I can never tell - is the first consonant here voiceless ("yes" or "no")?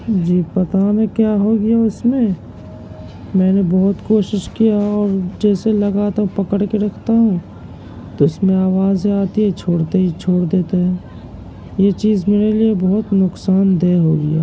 no